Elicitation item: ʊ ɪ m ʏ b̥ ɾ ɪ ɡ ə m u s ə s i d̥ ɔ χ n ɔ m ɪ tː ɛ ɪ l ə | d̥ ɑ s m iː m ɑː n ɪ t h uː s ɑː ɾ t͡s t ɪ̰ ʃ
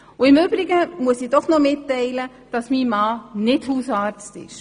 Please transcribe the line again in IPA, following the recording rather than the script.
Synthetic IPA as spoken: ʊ ɪ m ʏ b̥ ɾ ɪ ɡ ə m u ə s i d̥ ɔ χ n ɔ m ɪ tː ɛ ɪ l ə | d̥ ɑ s m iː m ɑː n ɪ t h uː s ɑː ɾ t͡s t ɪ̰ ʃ